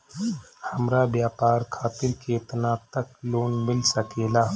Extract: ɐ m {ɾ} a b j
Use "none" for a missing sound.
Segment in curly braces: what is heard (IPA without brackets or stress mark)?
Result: ɾ